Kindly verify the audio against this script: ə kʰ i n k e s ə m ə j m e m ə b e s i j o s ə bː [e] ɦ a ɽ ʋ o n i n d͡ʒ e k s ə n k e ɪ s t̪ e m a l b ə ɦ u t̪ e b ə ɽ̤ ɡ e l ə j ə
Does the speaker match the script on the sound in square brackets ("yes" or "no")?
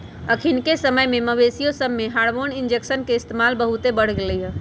yes